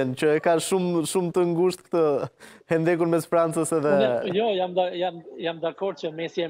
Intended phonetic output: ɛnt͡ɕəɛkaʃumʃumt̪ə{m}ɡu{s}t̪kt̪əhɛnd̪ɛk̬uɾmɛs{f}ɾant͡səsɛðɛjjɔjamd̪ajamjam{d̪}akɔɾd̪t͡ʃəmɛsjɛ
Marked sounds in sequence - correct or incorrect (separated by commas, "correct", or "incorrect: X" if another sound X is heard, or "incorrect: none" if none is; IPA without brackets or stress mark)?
incorrect: ŋ, incorrect: ʃ, correct, correct